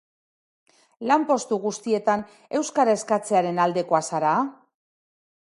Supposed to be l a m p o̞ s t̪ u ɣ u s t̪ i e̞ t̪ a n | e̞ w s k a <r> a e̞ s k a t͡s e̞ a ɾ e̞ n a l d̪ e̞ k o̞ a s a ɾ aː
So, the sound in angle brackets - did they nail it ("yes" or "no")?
no